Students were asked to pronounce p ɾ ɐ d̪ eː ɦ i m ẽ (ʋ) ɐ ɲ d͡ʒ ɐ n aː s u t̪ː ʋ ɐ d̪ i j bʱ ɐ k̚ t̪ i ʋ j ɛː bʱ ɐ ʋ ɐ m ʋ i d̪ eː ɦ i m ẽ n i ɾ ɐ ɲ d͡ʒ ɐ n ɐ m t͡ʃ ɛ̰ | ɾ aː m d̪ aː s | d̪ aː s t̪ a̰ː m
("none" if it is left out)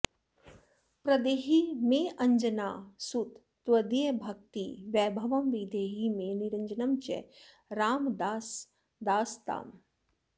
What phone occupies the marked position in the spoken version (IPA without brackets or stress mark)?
none